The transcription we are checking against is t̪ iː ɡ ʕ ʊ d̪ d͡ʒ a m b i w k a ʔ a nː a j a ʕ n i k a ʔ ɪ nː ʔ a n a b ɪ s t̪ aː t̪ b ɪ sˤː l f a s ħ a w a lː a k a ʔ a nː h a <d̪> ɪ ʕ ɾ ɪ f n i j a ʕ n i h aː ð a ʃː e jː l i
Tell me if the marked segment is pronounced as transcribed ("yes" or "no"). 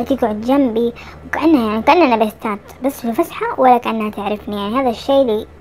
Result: no